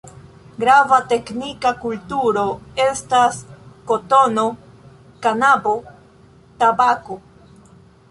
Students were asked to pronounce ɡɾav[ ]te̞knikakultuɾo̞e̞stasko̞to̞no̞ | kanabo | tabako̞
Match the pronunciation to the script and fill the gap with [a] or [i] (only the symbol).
a